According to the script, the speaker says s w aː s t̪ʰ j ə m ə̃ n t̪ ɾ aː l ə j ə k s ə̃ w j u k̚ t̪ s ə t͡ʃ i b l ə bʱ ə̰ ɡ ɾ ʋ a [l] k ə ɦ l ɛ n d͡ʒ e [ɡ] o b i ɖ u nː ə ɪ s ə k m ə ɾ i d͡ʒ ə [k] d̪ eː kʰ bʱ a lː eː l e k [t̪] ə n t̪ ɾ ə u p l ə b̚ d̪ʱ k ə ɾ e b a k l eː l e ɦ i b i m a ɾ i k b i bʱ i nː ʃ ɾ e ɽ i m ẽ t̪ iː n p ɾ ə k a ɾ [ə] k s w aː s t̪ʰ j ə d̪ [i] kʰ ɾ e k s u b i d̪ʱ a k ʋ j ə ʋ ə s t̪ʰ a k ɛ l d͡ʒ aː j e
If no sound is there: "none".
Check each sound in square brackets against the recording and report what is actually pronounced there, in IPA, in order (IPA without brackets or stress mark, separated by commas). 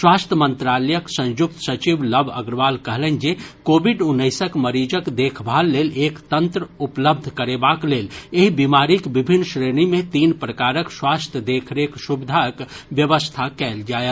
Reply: l, k, k, t̪, ə, e